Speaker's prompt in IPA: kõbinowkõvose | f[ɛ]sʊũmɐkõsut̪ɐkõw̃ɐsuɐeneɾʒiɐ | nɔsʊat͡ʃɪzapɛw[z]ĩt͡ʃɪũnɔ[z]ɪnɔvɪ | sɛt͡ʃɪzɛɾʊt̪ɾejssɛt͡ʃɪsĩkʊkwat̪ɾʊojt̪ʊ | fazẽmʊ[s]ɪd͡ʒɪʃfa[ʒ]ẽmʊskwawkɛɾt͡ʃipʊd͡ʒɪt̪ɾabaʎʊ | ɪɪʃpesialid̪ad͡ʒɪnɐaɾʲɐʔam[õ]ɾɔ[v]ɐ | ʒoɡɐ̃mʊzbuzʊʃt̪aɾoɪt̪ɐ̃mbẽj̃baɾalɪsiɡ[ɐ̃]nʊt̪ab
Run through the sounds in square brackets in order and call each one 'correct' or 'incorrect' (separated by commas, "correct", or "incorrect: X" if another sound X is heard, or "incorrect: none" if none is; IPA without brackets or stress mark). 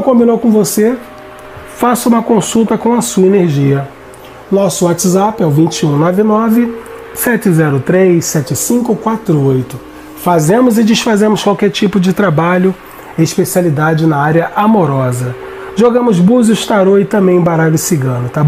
incorrect: a, incorrect: v, incorrect: v, incorrect: z, incorrect: z, incorrect: o, incorrect: z, correct